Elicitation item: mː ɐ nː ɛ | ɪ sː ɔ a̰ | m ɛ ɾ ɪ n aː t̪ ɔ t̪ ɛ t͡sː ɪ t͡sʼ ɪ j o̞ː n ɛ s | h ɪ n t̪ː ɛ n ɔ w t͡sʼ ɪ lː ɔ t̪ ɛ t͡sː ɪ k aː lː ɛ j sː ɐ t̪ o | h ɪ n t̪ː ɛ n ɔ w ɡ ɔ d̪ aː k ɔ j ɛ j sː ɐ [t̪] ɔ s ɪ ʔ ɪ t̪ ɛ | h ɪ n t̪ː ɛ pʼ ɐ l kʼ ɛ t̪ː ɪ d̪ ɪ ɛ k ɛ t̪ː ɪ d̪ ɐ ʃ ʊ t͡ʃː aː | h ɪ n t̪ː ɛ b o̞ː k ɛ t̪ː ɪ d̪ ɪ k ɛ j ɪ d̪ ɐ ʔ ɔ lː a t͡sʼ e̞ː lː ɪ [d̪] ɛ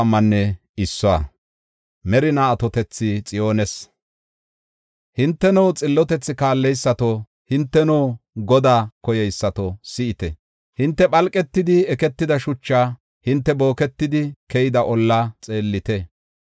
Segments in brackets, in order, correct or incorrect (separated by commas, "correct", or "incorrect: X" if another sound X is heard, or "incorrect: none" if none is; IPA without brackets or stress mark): correct, incorrect: t̪